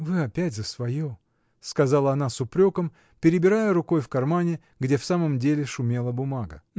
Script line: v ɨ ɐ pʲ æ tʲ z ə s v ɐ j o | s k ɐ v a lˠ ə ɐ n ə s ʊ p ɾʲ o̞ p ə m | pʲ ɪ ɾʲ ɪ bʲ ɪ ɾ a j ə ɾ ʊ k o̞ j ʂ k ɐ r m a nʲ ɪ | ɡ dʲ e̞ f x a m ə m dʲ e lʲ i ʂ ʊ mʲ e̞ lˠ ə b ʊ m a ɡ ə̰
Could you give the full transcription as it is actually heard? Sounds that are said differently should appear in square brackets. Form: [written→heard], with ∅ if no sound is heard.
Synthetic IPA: v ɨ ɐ pʲ æ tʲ z ə s v ɐ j o | s k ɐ [v→z] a lˠ ə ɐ n [ə→a] s ʊ p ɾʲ o̞ [p→k] ə m | pʲ ɪ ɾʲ ɪ bʲ ɪ ɾ a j ə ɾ ʊ k o̞ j [ʂ→f] k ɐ r m a nʲ ɪ | ɡ dʲ e̞ f [x→s] a m ə m dʲ e lʲ [i→ɪ] ʂ ʊ mʲ e̞ lˠ ə b ʊ m a ɡ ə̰